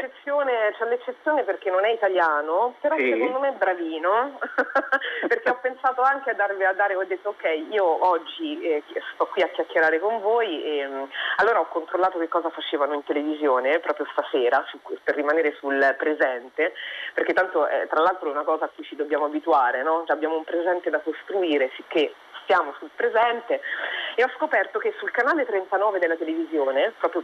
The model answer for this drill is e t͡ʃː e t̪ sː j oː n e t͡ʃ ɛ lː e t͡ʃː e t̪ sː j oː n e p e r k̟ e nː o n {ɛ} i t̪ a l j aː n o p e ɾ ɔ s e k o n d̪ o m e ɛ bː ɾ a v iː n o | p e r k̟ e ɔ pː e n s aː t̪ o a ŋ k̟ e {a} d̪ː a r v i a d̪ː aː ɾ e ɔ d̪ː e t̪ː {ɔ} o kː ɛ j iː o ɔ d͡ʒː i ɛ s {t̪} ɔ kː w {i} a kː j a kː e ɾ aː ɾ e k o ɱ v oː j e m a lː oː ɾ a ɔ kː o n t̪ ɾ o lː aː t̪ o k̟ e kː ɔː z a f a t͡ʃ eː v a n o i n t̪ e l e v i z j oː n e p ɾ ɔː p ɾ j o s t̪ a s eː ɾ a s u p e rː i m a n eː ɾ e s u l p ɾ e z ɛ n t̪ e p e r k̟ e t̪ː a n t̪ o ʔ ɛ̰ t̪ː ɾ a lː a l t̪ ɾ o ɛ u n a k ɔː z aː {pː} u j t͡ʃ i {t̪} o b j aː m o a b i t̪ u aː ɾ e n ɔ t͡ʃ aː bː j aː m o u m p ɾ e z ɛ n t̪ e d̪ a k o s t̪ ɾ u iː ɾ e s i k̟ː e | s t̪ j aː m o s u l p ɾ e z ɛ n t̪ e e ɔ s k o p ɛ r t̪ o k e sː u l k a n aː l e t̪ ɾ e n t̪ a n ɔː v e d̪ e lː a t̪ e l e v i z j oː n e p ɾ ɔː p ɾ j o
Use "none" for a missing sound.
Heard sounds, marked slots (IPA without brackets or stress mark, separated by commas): ɛ, a, o, t̪, i, kː, d̪